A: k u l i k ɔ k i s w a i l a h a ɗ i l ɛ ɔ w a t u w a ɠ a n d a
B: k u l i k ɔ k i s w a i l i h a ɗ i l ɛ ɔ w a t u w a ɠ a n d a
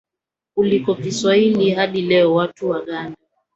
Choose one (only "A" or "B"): B